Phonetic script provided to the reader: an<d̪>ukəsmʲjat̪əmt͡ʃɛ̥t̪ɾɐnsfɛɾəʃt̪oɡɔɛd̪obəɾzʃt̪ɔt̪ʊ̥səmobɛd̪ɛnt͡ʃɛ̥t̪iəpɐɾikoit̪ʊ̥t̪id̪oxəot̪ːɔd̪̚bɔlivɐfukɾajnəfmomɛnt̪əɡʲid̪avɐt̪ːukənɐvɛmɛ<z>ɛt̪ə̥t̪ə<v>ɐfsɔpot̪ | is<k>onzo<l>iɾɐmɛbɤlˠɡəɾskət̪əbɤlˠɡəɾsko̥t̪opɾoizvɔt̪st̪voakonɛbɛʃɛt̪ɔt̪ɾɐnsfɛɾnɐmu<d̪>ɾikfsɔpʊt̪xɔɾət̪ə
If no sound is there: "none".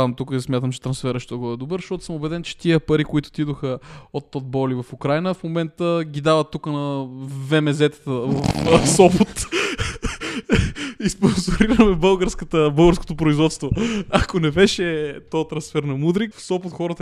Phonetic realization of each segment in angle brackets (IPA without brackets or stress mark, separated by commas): t̪, z, v, p, ɾ, d̪